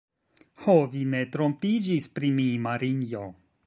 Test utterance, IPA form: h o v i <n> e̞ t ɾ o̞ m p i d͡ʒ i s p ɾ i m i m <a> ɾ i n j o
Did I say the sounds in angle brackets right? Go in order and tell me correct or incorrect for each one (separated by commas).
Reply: correct, correct